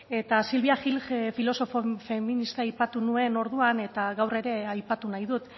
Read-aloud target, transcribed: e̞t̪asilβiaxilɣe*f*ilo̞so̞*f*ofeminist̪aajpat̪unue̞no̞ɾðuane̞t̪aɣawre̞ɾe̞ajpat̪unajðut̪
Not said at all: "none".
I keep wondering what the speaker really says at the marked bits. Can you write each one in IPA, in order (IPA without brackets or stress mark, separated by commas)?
f, f